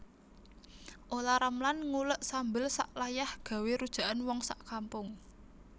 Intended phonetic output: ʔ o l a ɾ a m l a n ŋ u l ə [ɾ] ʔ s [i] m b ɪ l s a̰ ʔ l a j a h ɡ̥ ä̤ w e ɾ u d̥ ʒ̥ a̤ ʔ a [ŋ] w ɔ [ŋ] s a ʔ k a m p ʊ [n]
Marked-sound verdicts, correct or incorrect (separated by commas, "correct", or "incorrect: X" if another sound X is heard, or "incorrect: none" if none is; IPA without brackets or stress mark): incorrect: none, incorrect: a, incorrect: n, correct, incorrect: ŋ